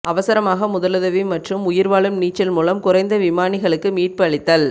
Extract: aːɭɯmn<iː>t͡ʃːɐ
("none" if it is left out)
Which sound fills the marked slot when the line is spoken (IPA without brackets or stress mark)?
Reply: iː